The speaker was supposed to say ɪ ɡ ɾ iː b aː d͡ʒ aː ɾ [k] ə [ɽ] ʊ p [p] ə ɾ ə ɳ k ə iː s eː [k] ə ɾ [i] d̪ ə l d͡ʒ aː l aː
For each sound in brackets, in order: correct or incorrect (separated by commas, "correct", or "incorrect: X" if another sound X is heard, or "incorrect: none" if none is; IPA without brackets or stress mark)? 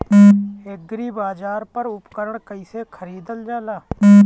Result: incorrect: p, incorrect: ɾ, incorrect: k, incorrect: kʰ, incorrect: iː